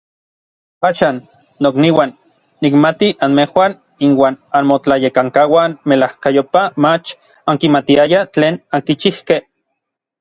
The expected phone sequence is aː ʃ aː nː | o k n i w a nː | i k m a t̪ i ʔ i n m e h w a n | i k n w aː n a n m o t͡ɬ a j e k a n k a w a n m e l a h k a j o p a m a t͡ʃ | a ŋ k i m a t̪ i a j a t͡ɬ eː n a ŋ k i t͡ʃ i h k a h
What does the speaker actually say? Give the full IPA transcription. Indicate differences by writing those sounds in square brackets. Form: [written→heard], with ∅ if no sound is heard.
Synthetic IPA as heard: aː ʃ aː nː | o k n i w a nː | i k m a t̪ i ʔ [i→a] n m e h w a n | i [k→∅] n w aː n a n m o t͡ɬ a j e k a [n→ŋ] k a w a n m e l a h k a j o p a m a t͡ʃ | a ŋ k i m a t̪ i a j a t͡ɬ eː n a ŋ k i t͡ʃ i h k [a→e] h